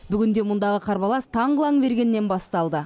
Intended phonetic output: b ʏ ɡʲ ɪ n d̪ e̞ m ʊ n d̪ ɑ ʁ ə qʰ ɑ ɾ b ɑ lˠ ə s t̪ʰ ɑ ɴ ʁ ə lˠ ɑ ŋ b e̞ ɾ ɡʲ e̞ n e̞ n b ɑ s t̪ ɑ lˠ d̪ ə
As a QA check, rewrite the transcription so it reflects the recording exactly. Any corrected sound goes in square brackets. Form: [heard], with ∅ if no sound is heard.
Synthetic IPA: b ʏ ɡʲ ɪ n d̪ e̞ m ʊ n d̪ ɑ ʁ ə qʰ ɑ ɾ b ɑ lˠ [ɑ] s t̪ʰ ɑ ɴ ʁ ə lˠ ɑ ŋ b e̞ ɾ ɡʲ e̞ [nː] e̞ n b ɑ s t̪ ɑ lˠ d̪ ə